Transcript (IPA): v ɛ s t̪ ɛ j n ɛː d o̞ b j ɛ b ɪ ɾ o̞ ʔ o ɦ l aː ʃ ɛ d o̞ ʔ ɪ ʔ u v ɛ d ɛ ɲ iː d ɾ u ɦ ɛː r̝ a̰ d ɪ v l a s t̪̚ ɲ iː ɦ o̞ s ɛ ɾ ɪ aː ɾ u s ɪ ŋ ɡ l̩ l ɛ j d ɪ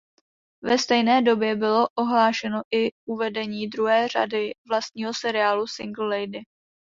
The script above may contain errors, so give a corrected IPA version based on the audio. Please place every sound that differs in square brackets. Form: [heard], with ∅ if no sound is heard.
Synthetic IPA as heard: v ɛ s t̪ ɛ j n ɛː d o̞ b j ɛ b ɪ [l] o̞ ʔ o ɦ l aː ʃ ɛ [n] o̞ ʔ ɪ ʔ u v ɛ d ɛ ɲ iː d ɾ u ɦ ɛː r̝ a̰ d ɪ v l a s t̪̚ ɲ iː ɦ o̞ s ɛ ɾ ɪ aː [l] u s ɪ ŋ ɡ l̩ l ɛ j d ɪ